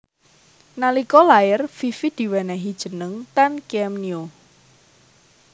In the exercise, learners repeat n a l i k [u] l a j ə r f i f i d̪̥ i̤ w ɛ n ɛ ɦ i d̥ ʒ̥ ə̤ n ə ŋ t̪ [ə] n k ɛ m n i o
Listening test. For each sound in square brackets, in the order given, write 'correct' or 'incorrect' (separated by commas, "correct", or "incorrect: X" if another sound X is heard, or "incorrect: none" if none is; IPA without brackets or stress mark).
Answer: incorrect: ɔ, incorrect: a